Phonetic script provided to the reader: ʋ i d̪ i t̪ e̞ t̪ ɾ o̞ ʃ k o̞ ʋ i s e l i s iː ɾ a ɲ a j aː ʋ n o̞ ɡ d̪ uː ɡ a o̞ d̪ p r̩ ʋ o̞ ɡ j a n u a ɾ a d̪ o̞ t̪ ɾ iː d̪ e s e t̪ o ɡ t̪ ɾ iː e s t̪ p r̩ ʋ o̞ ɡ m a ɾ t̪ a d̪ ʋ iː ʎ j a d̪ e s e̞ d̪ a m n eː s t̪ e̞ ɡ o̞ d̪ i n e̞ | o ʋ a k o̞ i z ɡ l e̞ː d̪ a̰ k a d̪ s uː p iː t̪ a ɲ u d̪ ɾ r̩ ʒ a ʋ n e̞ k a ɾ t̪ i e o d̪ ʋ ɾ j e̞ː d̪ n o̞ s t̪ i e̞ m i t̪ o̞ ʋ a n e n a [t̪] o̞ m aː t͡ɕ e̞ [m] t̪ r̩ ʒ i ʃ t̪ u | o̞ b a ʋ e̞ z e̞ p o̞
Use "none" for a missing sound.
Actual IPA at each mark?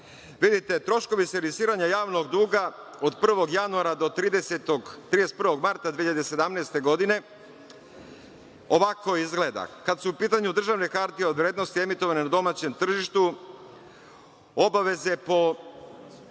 d̪, m

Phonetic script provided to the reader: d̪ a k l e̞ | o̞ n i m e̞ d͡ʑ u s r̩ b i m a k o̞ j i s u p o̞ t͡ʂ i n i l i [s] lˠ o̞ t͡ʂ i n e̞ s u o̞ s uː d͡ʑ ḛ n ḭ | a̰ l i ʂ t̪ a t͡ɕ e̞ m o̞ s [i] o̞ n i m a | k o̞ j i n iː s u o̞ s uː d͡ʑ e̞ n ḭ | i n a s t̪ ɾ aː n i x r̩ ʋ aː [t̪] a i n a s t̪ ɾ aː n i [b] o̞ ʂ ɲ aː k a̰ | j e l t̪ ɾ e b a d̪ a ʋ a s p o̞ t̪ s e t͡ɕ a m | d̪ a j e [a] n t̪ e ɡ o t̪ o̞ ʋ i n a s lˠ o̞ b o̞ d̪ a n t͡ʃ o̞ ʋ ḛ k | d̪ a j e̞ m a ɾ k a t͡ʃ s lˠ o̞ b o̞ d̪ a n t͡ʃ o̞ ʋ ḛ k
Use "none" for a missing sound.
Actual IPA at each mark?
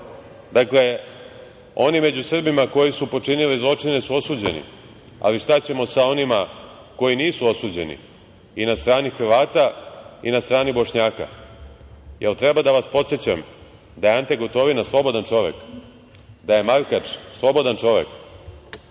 z, a, t̪, b, a

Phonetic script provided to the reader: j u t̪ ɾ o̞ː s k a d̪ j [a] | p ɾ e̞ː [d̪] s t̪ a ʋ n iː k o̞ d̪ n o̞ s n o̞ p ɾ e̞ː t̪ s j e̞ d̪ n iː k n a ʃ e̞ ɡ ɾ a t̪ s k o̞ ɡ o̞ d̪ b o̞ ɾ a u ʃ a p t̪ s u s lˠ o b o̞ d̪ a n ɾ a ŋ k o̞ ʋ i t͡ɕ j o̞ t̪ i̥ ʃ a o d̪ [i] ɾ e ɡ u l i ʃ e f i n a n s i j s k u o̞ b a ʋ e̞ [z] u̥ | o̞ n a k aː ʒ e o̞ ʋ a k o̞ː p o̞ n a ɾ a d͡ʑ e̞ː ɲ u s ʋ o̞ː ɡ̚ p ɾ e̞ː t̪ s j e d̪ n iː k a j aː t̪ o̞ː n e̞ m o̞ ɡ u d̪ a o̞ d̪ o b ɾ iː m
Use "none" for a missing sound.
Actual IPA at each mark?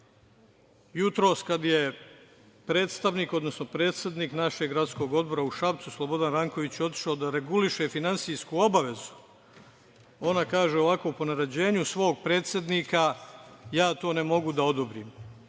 e, t̪, a, z

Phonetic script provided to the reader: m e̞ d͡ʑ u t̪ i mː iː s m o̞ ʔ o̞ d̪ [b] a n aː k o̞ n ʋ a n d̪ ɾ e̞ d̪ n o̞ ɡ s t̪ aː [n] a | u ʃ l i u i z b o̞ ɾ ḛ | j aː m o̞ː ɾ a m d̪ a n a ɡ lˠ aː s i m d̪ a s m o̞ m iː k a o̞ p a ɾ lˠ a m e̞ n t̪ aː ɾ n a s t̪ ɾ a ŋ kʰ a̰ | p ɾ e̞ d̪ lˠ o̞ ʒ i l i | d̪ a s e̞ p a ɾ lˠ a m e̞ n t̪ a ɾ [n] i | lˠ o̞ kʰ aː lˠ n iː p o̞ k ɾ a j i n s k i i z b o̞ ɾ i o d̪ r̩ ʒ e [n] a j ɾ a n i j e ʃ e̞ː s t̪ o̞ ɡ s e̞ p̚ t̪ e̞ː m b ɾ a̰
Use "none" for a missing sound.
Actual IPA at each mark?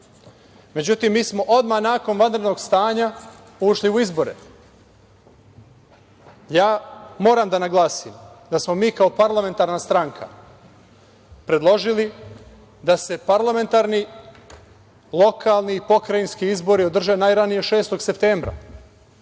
m, ɲ, n, n

